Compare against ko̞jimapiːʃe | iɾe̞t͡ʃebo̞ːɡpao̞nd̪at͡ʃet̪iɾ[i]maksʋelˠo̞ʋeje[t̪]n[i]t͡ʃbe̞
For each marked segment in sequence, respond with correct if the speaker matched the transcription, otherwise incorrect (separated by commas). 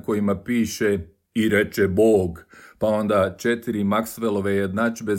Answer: correct, incorrect, incorrect